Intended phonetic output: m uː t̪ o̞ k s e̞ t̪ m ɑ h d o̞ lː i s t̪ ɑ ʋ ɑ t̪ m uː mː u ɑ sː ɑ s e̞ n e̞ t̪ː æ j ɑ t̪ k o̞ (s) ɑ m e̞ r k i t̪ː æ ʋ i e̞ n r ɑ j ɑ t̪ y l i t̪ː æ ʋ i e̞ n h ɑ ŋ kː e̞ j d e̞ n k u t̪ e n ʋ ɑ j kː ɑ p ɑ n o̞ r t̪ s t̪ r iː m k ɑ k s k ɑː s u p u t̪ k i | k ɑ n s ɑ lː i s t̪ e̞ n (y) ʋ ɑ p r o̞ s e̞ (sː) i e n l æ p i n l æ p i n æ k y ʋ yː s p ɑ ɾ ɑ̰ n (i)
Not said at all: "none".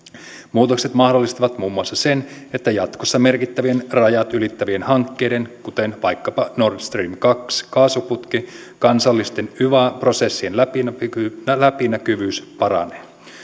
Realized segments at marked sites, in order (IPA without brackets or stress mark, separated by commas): sː, y, sː, e